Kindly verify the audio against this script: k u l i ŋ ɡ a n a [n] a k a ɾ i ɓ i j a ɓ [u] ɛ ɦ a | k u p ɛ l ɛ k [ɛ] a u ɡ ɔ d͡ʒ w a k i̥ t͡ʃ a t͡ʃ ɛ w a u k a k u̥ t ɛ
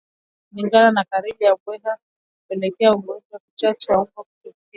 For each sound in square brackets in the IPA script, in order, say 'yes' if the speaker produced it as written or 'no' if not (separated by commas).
yes, no, yes